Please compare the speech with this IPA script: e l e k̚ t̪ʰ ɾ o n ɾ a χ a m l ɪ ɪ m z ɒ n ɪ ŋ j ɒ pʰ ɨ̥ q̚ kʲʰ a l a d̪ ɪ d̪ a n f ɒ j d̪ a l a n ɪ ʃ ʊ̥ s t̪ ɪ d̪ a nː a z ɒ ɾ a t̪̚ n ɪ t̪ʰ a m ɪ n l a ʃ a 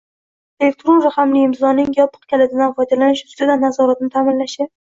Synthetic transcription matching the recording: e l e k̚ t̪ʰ ɾ o n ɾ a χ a m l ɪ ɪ m z ɒ n ɪ ŋ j ɒ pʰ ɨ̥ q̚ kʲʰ a l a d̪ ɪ d̪ a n f ɒ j d̪ a l a n ɪ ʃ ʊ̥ s t̪ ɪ d̪ a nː a z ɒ ɾ a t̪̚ n ɪ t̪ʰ a m ɪ n l a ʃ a